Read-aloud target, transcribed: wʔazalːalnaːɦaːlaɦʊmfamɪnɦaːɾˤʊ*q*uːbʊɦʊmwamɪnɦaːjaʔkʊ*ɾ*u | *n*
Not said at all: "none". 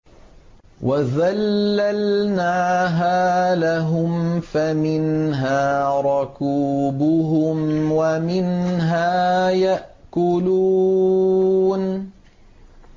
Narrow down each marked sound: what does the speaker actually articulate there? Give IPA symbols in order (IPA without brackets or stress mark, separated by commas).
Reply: k, l, n